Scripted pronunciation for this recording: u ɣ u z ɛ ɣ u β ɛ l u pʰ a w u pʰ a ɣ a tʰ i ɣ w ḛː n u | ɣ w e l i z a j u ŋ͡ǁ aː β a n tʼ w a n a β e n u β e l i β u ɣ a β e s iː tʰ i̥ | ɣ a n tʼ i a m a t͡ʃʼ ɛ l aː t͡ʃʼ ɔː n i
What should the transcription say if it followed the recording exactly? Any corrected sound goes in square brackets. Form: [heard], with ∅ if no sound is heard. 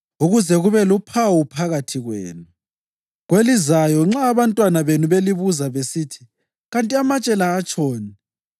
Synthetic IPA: u ɣ u z ɛ ɣ u β ɛ l u pʰ a w u pʰ a ɣ a tʰ i ɣ w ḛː n u | ɣ w e l i z a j [ɔ] ŋ͡ǁ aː β a n tʼ w a n a β e n u β e l i β u [z] a β e s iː tʰ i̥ | ɣ a n tʼ i a m a t͡ʃʼ ɛ l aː t͡ʃʼ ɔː n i